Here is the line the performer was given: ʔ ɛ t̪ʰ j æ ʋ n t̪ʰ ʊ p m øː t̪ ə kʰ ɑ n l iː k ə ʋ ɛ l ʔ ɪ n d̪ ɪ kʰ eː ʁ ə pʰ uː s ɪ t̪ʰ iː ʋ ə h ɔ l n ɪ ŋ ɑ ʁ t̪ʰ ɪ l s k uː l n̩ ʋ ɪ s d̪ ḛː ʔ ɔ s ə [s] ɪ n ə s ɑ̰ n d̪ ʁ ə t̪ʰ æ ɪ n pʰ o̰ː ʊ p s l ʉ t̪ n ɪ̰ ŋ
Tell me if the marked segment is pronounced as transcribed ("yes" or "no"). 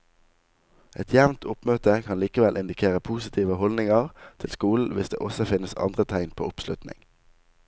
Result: no